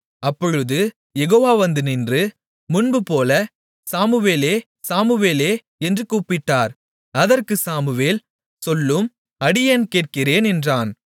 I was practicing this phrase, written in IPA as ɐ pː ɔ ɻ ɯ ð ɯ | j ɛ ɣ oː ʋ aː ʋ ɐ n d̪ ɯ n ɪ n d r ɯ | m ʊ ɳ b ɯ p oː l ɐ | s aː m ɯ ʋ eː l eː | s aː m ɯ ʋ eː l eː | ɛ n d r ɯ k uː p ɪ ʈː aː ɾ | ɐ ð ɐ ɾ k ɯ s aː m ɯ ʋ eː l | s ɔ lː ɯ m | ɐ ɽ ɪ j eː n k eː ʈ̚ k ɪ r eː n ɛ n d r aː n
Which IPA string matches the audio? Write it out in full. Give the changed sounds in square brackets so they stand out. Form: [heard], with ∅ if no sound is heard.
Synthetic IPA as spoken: ɐ pː ɔ ɻ ɯ ð ɯ | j ɛ ɣ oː ʋ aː ʋ ɐ n d̪ ɯ n ɪ n d r ɯ | m ʊ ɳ b ɯ p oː l ɐ | s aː m ɯ ʋ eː l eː | s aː m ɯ ʋ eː l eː | ɛ n d r ɯ k uː p ɪ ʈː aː ɾ | ɐ ð ɐ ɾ k ɯ s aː m ɯ ʋ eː l | s ɔ lː ɯ m | ɐ ɽ ɪ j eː n k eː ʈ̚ k ɪ r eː n ɛ n d r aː n

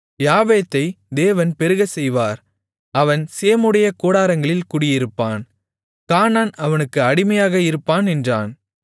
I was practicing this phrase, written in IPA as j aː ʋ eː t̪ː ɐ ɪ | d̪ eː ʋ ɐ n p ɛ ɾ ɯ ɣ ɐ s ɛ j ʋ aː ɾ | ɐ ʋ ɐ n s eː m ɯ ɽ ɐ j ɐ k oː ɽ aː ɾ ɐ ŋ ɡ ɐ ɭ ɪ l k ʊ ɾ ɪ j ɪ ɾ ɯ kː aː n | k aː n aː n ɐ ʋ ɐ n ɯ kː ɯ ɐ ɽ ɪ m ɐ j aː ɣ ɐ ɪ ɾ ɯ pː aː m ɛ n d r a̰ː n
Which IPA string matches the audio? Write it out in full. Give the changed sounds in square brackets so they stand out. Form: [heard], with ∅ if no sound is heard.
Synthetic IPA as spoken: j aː ʋ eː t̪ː ɐ ɪ | d̪ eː ʋ ɐ n p ɛ ɾ ɯ ɣ ɐ s ɛ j ʋ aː ɾ | ɐ ʋ ɐ n s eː m ɯ ɽ ɐ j ɐ k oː ɽ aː ɾ ɐ ŋ ɡ ɐ ɭ ɪ l k ʊ [ɽ] ɪ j ɪ ɾ ɯ [pː] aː n | k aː n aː n ɐ ʋ ɐ n ɯ kː ɯ ɐ ɽ ɪ m ɐ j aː ɣ ɐ ɪ ɾ ɯ pː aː [n] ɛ n d r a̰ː n

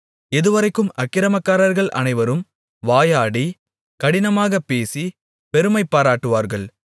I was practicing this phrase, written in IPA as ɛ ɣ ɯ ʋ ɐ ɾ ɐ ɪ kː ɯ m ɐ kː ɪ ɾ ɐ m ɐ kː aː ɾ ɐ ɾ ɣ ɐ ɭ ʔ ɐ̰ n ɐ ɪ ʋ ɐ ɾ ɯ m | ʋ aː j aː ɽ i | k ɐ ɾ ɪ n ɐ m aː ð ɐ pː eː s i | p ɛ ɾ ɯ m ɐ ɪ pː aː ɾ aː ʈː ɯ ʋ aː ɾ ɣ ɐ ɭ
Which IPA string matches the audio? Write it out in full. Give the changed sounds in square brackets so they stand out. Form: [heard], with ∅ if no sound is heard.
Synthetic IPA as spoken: ɛ [ð] ɯ ʋ ɐ ɾ ɐ ɪ kː ɯ m ɐ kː ɪ ɾ ɐ m ɐ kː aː ɾ ɐ ɾ ɣ ɐ ɭ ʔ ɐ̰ n ɐ ɪ ʋ ɐ ɾ ɯ m | ʋ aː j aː ɽ i | k ɐ [ɽ] ɪ n ɐ m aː [ɣ] ɐ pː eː s i | p ɛ ɾ ɯ m ɐ ɪ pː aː ɾ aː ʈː ɯ ʋ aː ɾ ɣ ɐ ɭ

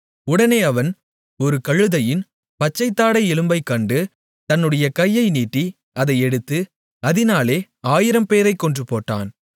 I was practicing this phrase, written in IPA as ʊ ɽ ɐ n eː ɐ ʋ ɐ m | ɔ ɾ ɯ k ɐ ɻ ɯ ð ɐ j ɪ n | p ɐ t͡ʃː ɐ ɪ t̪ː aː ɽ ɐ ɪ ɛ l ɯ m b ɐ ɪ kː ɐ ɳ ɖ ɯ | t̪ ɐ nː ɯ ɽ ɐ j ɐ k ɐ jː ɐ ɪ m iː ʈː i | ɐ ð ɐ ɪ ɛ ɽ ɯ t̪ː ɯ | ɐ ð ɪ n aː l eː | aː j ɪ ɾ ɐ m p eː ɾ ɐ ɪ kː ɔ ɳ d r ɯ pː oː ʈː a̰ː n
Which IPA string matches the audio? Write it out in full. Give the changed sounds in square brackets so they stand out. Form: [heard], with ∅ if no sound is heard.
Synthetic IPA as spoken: ʊ ɽ ɐ n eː ɐ ʋ ɐ [n] | ɔ ɾ ɯ k ɐ ɻ ɯ ð ɐ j ɪ n | p ɐ t͡ʃː ɐ ɪ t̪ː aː ɽ ɐ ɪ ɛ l ɯ m b ɐ ɪ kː ɐ ɳ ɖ ɯ | t̪ ɐ nː ɯ ɽ ɐ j ɐ k ɐ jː ɐ ɪ [n] iː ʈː i | ɐ ð ɐ ɪ ɛ ɽ ɯ t̪ː ɯ | ɐ ð ɪ n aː l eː | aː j ɪ ɾ ɐ m p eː ɾ ɐ ɪ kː ɔ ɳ d r ɯ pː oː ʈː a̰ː n

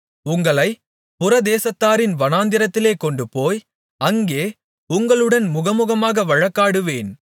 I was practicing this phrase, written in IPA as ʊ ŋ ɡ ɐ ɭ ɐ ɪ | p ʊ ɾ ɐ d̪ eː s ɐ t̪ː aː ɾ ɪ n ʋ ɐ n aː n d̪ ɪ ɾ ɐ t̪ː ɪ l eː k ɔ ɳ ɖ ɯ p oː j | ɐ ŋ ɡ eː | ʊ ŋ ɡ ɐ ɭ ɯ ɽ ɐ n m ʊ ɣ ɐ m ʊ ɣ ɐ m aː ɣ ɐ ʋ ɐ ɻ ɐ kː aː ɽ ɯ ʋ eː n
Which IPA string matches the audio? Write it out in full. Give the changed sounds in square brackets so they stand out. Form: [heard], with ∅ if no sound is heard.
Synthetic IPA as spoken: ʊ ŋ ɡ ɐ ɭ ɐ ɪ | p ʊ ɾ ɐ d̪ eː s ɐ t̪ː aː ɾ ɪ n ʋ ɐ n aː n d̪ ɪ ɾ ɐ t̪ː ɪ l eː k ɔ ɳ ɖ ɯ p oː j | ɐ ŋ ɡ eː | ʊ ŋ ɡ ɐ ɭ ɯ ɽ ɐ n m ʊ ɣ ɐ m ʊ ɣ ɐ m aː ɣ ɐ ʋ ɐ ɻ ɐ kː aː ɽ ɯ ʋ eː n

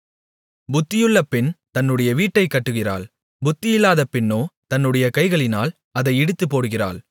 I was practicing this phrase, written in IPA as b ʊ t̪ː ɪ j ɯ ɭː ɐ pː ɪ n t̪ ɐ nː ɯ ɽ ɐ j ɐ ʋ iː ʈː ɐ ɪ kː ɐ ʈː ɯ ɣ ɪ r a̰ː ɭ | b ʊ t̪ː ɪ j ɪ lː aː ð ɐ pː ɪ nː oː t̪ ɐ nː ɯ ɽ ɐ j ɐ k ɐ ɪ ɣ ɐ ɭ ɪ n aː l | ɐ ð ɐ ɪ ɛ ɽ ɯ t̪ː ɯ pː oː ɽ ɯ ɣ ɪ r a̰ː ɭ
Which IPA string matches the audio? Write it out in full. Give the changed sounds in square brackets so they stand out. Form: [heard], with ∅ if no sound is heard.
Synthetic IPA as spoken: b ʊ t̪ː ɪ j ɯ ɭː ɐ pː ɪ n t̪ ɐ nː ɯ ɽ ɐ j ɐ ʋ iː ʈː ɐ ɪ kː ɐ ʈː ɯ ɣ ɪ r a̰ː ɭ | b ʊ t̪ː ɪ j ɪ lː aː ð ɐ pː ɪ nː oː t̪ ɐ nː ɯ ɽ ɐ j ɐ k ɐ ɪ ɣ ɐ ɭ ɪ n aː l | ɐ ð ɐ ɪ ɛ ɽ ɯ t̪ː ɯ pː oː ɽ ɯ ɣ ɪ r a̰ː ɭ

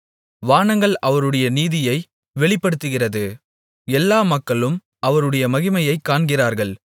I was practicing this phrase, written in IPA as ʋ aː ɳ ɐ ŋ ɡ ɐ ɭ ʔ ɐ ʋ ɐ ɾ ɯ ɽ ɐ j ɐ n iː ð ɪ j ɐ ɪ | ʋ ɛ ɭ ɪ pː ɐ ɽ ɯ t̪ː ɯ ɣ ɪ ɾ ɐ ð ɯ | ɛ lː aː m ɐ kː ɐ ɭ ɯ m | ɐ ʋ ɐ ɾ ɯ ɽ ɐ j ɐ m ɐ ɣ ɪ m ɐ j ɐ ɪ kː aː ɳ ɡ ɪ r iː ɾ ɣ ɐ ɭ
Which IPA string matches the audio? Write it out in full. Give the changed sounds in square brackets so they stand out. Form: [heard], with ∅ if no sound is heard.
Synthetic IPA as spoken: ʋ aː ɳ ɐ ŋ ɡ ɐ ɭ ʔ ɐ ʋ ɐ ɾ ɯ ɽ ɐ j ɐ n iː ð ɪ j ɐ ɪ | ʋ ɛ ɭ ɪ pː ɐ ɽ ɯ t̪ː ɯ ɣ ɪ [r] ɐ ð ɯ | ɛ lː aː m ɐ kː ɐ ɭ ɯ m | ɐ ʋ ɐ ɾ ɯ ɽ ɐ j ɐ m ɐ ɣ ɪ m ɐ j ɐ ɪ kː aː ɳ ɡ ɪ r [aː] ɾ ɣ ɐ ɭ

